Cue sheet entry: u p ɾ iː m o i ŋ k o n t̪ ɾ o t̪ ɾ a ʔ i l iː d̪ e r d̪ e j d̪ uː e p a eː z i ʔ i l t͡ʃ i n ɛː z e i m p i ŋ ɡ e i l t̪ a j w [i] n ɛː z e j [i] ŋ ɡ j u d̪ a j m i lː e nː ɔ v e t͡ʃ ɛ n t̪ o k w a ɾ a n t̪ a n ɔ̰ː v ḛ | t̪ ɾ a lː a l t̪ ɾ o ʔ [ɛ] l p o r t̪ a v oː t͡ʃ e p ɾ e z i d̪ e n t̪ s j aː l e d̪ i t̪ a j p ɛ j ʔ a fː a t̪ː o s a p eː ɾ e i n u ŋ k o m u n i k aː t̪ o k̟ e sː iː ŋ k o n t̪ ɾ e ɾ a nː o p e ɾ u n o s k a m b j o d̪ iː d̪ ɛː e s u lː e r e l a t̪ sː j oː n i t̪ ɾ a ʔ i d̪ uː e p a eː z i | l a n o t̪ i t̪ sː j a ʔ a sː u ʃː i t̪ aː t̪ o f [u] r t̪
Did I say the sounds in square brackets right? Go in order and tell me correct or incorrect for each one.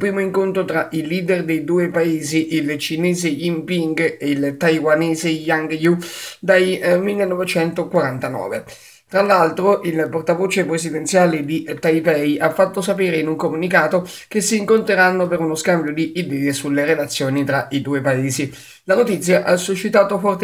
incorrect: a, incorrect: a, incorrect: i, incorrect: ɔ

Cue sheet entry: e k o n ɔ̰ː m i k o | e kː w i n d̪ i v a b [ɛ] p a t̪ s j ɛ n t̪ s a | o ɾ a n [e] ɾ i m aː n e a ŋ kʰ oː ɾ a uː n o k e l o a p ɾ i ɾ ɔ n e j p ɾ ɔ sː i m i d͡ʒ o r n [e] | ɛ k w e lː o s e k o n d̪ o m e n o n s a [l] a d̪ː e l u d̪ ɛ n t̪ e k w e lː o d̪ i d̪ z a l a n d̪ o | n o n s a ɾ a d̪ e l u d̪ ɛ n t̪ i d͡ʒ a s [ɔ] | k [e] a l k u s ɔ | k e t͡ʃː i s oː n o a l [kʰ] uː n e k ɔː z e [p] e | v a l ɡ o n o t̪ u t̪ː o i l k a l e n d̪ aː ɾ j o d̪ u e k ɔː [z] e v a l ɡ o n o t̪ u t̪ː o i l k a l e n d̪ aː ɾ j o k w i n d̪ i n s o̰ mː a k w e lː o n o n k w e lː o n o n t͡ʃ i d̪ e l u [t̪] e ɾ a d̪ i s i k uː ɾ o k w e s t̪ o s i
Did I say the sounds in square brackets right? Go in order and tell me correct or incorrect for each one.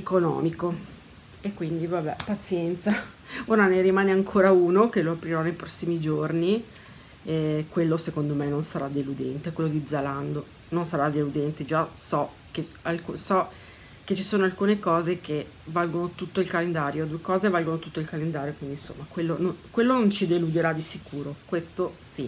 correct, correct, incorrect: i, incorrect: ɾ, correct, correct, incorrect: k, incorrect: k, correct, incorrect: d̪

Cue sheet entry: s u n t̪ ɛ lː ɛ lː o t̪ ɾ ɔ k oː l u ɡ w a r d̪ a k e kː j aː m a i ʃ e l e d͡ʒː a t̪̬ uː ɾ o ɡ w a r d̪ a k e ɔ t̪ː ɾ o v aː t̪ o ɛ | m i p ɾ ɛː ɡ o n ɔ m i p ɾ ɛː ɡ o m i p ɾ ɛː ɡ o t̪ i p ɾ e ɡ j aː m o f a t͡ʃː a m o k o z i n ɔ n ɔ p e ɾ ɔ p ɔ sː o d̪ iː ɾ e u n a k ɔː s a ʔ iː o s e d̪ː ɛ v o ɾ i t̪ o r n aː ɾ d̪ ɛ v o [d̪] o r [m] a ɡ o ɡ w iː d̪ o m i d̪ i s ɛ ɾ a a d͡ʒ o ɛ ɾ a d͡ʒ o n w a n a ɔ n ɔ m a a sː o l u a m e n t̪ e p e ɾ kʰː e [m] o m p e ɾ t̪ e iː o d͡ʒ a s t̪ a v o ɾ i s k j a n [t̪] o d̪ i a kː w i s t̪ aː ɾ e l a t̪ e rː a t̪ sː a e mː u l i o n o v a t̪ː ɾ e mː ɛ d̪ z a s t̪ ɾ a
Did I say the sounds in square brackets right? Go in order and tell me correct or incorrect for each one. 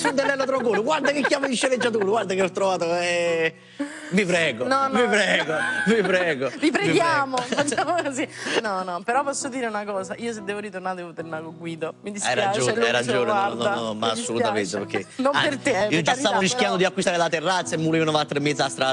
incorrect: t̪, incorrect: n, incorrect: n, incorrect: d̪

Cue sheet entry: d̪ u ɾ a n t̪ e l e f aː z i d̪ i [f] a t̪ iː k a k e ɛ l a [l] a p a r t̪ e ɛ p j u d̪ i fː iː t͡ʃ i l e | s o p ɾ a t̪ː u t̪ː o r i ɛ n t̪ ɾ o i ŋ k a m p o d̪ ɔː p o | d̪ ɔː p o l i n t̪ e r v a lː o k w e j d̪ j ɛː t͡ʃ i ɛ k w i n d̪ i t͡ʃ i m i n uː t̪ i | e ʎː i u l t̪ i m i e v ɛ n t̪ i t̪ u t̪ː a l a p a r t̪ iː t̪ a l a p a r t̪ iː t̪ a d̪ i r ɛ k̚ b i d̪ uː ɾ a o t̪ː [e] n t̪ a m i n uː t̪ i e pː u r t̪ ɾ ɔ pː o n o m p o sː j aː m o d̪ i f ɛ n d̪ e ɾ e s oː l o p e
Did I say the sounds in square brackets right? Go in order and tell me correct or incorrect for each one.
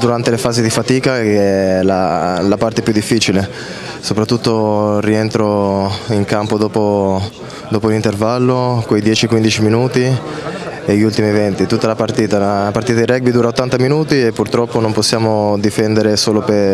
correct, correct, incorrect: a

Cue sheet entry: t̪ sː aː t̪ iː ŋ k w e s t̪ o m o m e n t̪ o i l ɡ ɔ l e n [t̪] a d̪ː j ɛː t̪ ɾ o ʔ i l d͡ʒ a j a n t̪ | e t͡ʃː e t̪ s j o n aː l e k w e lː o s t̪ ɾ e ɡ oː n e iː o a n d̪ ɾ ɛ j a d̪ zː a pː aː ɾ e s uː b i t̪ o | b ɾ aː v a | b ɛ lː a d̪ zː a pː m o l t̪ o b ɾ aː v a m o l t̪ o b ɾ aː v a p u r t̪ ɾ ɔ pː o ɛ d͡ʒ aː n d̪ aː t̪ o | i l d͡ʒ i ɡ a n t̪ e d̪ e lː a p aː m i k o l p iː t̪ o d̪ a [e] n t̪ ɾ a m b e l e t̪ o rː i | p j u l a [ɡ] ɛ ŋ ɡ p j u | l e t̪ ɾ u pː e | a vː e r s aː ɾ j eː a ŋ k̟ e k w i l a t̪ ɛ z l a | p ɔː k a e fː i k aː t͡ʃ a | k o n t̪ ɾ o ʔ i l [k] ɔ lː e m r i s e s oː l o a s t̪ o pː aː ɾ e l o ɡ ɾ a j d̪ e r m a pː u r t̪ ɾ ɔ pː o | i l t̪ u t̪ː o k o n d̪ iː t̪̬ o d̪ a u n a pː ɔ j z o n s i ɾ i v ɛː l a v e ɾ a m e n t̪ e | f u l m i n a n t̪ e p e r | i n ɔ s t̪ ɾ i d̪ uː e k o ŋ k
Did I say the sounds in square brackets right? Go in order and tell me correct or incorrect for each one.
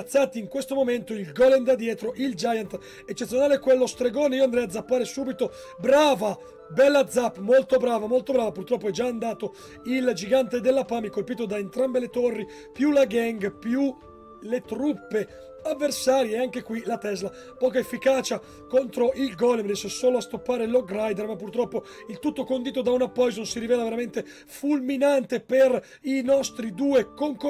incorrect: d̪, correct, correct, incorrect: ɡ

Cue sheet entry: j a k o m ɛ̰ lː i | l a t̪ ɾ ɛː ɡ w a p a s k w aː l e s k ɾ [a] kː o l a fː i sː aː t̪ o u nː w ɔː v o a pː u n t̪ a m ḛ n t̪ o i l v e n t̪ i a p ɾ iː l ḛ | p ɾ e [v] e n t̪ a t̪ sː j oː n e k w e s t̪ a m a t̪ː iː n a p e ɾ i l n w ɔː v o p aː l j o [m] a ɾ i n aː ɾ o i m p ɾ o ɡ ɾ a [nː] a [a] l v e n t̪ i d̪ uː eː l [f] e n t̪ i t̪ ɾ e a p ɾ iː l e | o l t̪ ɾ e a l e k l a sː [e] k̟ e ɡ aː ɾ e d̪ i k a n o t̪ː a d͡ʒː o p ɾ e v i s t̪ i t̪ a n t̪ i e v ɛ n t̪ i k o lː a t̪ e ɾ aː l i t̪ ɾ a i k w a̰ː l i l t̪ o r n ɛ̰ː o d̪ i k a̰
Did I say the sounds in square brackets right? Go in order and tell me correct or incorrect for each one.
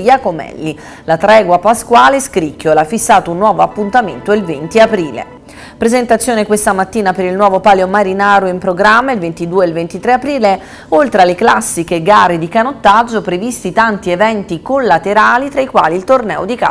incorrect: i, incorrect: z, correct, incorrect: mː, incorrect: i, incorrect: v, incorrect: i

